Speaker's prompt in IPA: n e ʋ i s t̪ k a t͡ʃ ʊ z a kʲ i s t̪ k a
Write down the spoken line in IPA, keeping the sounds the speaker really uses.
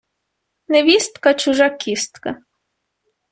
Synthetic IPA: n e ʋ i s t̪ k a t͡ʃ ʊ ʒ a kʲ i s t̪ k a